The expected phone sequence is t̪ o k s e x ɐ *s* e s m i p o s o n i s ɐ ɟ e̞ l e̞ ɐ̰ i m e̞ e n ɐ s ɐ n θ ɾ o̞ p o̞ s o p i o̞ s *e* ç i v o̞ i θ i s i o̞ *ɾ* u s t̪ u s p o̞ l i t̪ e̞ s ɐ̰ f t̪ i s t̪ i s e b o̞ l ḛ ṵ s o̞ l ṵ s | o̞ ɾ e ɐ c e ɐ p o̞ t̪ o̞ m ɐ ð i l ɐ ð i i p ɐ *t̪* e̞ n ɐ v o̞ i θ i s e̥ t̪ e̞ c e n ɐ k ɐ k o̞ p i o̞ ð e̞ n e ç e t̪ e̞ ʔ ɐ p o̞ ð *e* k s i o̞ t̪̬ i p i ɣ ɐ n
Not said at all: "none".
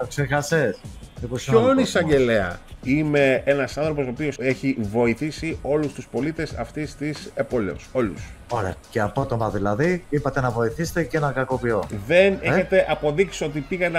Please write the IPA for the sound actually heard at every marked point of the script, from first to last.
s, e, l, t̪, i

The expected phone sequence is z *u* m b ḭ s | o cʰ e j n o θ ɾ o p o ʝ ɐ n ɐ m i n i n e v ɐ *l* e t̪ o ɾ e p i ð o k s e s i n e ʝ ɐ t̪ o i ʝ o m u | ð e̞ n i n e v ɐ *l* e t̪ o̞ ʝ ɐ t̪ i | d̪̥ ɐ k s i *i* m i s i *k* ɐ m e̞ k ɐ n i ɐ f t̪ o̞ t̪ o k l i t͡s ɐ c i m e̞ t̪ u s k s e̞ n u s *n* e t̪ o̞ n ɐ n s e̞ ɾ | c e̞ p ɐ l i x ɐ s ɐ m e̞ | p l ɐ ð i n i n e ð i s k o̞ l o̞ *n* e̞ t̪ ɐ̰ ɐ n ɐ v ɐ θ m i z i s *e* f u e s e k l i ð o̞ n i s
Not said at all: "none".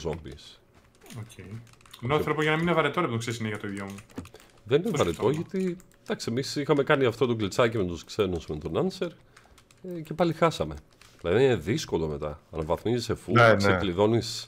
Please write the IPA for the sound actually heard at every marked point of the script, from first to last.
o, ɾ, ɾ, e, x, m, m, e

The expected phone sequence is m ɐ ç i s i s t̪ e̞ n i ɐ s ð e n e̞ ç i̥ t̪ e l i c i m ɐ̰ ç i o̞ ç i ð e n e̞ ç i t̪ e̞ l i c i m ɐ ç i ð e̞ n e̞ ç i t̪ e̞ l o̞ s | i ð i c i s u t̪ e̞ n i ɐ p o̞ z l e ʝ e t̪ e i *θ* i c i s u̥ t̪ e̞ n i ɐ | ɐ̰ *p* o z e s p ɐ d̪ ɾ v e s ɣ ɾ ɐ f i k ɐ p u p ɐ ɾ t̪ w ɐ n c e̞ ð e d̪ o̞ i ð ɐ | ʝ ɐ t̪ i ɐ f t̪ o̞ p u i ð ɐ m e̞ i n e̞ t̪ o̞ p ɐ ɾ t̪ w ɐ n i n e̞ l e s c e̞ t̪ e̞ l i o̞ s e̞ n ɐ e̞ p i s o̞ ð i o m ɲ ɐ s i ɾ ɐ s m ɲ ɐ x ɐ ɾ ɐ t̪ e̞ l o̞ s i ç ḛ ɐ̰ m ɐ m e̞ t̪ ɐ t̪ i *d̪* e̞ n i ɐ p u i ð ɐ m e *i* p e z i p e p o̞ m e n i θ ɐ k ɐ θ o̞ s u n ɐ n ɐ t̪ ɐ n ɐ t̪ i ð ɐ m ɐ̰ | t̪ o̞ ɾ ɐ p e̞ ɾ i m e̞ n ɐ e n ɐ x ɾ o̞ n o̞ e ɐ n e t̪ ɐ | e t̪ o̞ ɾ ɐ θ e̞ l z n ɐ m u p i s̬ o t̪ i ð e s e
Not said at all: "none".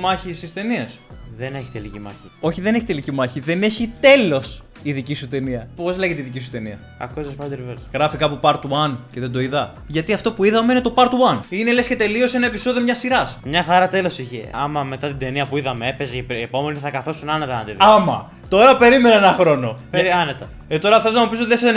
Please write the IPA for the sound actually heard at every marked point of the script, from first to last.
ð, k, d̪, e

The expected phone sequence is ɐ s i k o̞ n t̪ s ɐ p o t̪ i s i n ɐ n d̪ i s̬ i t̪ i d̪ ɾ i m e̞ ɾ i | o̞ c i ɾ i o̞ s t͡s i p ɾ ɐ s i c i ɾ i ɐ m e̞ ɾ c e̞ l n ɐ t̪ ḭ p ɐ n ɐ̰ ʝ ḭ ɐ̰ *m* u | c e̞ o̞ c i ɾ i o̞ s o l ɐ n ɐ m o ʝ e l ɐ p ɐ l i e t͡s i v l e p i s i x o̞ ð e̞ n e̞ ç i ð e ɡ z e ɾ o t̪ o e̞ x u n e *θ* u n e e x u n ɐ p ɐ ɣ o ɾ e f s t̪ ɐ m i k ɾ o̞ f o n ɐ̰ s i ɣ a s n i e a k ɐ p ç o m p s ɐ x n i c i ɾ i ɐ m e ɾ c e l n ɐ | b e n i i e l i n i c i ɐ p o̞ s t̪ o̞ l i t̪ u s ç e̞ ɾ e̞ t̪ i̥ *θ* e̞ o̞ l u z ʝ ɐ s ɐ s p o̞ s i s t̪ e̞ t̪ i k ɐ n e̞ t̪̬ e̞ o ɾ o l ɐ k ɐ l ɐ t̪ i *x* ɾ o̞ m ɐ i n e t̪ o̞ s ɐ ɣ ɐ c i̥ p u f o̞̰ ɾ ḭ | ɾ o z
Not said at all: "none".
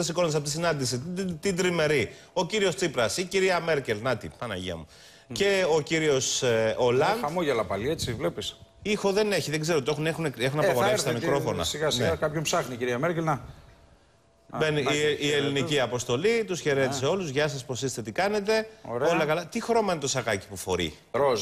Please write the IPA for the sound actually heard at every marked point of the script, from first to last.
m, x, s, x

